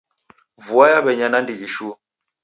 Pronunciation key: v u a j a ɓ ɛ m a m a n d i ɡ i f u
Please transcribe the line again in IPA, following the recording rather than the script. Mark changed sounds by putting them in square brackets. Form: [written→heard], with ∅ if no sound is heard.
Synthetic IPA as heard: v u a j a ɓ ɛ [m→ɲ] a [m→n] a n d i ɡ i [f→ʃ] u

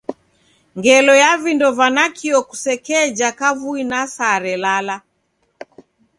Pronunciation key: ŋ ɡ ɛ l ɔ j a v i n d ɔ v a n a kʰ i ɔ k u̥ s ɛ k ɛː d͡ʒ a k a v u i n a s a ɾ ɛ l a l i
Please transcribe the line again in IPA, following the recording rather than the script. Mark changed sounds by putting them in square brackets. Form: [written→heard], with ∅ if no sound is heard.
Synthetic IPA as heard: ŋ ɡ ɛ l ɔ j a v i n d ɔ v a n a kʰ i ɔ k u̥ s ɛ k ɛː d͡ʒ a k a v u i n a s a ɾ ɛ l a l [i→a]

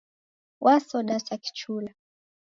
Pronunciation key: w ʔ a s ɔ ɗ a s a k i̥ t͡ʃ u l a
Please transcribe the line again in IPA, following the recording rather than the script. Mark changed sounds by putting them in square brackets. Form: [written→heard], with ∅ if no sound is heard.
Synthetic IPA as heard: w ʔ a s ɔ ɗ a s a k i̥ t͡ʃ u l a

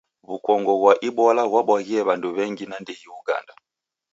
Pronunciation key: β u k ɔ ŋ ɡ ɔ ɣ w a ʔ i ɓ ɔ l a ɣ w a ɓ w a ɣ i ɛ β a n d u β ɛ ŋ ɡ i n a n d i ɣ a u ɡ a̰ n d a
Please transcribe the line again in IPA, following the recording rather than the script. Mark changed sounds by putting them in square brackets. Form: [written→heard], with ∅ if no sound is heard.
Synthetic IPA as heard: β u k ɔ ŋ ɡ ɔ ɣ w a ʔ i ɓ ɔ l a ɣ w a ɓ w a ɣ i ɛ β a n d u β ɛ ŋ ɡ i n a n d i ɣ [a→i] u ɡ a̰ n d a

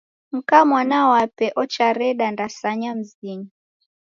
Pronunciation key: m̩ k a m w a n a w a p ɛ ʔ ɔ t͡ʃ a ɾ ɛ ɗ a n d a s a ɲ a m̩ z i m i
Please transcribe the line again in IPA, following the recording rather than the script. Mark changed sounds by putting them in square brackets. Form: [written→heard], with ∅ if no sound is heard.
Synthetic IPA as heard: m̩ k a m w a n a w a p ɛ ʔ ɔ t͡ʃ a ɾ ɛ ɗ a n d a s a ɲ a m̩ z i [m→ɲ] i

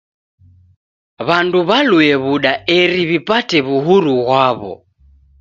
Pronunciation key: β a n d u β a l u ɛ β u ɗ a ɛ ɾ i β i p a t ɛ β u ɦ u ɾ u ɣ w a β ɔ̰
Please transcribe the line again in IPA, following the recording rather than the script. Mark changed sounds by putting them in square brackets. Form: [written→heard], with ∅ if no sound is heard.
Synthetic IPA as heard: β a n d u β a l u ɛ β u ɗ a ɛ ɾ i β i p a t ɛ β u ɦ u ɾ u ɣ w a β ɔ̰

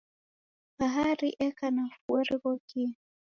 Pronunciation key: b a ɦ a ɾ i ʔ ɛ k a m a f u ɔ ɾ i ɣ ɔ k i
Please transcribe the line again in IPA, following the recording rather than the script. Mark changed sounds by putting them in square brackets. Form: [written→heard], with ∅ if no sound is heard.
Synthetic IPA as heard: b a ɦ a ɾ i ʔ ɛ k a [m→n] a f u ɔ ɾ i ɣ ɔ k i

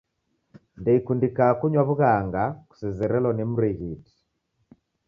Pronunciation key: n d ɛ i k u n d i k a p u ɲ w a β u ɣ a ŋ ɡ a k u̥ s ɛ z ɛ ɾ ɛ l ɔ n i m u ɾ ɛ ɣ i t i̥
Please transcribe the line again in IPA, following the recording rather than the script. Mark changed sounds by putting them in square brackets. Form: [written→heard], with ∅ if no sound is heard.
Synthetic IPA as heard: n d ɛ i k u n d i k a [p→k] u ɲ w a β u ɣ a ŋ ɡ a k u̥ s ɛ z ɛ ɾ ɛ l ɔ n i m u ɾ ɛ ɣ i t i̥

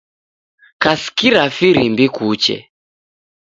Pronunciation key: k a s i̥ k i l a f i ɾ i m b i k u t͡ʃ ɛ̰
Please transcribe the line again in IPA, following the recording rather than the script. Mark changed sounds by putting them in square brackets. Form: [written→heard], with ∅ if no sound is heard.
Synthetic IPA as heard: k a s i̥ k i [l→ɾ] a f i ɾ i m b i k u t͡ʃ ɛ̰

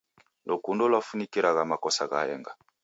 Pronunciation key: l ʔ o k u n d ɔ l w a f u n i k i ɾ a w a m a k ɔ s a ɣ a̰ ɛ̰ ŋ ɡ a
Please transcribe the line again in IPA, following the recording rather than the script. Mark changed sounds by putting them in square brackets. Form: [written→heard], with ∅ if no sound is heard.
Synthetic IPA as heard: l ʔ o k u n d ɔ l w a f u n i k i ɾ a [w→ɣ] a m a k ɔ s a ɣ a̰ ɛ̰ ŋ ɡ a

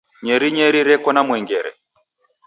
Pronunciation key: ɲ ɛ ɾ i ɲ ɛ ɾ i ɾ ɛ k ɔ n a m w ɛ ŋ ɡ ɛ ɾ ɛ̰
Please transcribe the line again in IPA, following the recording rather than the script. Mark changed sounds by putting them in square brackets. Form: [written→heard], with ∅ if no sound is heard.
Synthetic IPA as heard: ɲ ɛ ɾ i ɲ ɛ ɾ i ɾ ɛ k ɔ n a m w ɛ ŋ ɡ ɛ ɾ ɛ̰

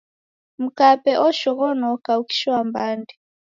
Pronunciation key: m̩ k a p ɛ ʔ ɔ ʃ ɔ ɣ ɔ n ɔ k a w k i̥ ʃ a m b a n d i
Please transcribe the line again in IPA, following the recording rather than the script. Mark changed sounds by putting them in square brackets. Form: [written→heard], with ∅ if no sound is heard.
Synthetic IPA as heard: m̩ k a p ɛ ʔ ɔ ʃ ɔ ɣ ɔ n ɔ k a [w→u] k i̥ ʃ a m b a n d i

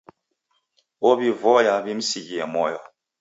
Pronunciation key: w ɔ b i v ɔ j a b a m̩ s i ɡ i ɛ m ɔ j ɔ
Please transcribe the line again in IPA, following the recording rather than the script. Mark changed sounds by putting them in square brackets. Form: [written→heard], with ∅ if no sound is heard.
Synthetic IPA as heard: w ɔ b i v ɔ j a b [a→i] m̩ s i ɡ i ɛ m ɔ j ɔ

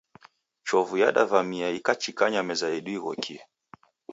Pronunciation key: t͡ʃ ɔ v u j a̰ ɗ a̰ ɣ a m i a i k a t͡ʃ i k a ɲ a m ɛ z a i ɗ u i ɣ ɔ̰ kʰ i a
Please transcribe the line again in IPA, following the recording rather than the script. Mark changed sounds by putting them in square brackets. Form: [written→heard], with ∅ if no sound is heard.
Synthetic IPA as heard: t͡ʃ ɔ v u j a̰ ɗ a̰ [ɣ→v] a m i a i k a t͡ʃ i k a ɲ a m ɛ z a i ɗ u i ɣ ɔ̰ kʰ i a

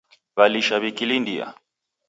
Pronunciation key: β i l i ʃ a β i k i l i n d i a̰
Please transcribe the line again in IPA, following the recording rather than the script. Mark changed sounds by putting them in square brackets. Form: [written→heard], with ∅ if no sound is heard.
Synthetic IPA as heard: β [i→a] l i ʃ a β i k i l i n d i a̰

